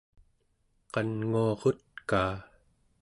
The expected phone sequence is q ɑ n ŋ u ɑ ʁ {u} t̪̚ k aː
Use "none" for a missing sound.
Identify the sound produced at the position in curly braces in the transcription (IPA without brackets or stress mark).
o